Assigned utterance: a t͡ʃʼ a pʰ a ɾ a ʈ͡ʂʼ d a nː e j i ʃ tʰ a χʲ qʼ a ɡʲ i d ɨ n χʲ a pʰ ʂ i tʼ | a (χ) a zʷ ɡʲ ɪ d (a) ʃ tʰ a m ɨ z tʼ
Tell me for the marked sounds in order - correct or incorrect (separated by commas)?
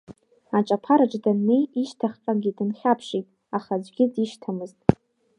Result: correct, incorrect